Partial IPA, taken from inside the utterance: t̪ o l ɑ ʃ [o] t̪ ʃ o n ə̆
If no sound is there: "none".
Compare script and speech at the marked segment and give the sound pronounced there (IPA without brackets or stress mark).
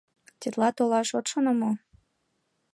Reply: o